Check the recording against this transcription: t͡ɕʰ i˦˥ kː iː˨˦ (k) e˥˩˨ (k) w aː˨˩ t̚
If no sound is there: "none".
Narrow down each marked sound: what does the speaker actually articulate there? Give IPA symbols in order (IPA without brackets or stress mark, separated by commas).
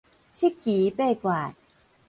p, k